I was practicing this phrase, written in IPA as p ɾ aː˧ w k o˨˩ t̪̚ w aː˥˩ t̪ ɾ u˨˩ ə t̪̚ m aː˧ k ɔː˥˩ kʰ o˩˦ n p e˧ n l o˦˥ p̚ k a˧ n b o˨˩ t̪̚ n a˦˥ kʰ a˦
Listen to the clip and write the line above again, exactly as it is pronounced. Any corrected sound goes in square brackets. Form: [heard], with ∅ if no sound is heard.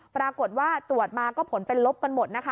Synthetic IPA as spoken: p ɾ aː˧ [∅] k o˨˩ t̪̚ w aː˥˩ t̪ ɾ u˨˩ ə t̪̚ m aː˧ k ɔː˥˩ [pʰ] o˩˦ n p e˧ n l o˦˥ p̚ k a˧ n [m] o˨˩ t̪̚ n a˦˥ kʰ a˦